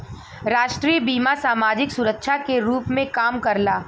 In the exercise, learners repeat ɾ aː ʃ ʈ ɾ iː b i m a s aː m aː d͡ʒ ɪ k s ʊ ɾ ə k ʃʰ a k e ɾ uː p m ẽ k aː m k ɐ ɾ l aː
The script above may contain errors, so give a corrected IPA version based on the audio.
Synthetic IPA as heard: ɾ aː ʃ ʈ ɾ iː b iː m a s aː m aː d͡ʒ ɪ k s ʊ ɾ ə k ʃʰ a k e ɾ uː p m ẽ k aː m k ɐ ɾ l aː